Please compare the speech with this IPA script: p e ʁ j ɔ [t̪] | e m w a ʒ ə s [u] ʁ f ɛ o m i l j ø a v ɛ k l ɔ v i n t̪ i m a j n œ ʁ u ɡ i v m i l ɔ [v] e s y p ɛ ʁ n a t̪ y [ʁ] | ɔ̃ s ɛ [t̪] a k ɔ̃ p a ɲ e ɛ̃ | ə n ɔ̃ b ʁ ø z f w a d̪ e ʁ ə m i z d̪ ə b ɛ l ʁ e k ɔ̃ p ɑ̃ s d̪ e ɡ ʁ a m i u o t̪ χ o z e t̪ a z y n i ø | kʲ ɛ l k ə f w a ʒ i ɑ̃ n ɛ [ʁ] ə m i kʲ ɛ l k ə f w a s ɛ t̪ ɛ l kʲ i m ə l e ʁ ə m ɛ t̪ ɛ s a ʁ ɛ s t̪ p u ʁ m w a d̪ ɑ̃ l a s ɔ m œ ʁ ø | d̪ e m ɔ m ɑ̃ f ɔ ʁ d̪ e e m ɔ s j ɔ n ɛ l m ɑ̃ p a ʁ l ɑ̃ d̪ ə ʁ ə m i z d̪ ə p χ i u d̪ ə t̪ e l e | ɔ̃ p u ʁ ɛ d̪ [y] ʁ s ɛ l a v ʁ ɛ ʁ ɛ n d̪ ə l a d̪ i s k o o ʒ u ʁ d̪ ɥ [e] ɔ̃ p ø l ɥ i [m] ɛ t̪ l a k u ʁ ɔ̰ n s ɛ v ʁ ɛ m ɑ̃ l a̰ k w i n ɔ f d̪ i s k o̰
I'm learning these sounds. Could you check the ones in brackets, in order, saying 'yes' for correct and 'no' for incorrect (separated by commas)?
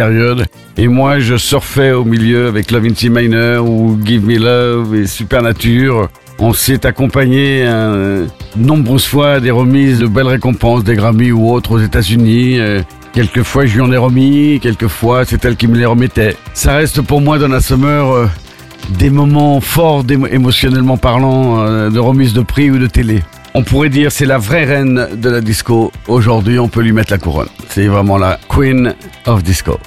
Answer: no, no, yes, yes, yes, yes, no, no, yes